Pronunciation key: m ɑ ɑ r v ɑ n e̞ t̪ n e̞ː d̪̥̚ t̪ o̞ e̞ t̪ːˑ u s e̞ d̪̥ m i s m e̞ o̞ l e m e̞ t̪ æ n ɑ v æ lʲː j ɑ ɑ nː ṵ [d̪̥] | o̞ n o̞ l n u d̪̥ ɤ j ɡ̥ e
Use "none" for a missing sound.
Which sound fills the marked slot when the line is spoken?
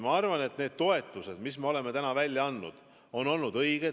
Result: d̪̥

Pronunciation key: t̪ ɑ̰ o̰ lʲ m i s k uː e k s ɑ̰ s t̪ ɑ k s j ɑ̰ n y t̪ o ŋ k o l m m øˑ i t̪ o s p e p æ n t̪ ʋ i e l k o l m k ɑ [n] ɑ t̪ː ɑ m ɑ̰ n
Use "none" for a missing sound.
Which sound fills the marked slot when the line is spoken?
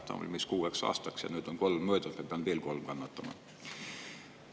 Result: nː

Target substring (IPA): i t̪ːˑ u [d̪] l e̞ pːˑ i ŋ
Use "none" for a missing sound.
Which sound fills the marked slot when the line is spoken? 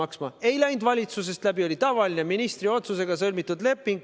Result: d̪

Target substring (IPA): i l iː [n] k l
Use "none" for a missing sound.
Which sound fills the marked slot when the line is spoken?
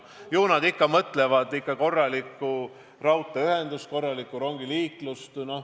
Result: none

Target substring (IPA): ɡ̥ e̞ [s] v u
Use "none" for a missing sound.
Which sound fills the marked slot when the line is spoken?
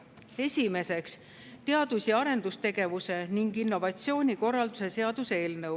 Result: none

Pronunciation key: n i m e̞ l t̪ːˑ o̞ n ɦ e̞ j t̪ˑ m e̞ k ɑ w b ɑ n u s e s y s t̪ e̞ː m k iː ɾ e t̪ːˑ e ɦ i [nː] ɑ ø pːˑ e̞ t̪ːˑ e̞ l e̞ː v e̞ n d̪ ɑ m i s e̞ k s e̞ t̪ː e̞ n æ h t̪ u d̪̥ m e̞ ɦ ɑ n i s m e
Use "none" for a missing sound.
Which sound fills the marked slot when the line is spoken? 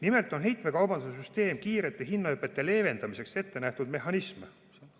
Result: nː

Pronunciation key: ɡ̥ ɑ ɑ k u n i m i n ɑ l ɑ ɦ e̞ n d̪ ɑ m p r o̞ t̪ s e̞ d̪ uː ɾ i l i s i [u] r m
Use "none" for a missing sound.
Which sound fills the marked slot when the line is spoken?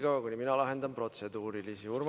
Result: u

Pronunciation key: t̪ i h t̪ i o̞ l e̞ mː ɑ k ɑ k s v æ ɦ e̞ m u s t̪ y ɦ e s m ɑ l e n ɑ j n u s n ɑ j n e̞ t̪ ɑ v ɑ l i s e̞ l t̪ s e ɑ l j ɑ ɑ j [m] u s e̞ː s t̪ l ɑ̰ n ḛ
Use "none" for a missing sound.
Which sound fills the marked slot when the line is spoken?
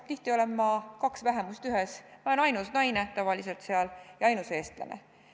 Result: n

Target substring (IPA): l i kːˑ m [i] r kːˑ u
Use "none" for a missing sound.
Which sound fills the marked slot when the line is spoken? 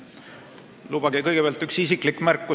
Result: æ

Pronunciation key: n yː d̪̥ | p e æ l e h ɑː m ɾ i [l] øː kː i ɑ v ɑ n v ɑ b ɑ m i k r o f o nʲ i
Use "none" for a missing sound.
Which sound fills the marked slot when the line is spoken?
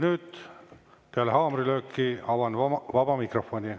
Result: l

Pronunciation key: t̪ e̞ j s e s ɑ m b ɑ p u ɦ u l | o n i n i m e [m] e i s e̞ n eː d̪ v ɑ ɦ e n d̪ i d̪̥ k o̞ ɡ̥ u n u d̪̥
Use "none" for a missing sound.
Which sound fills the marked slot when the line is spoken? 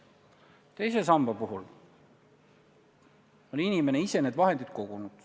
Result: n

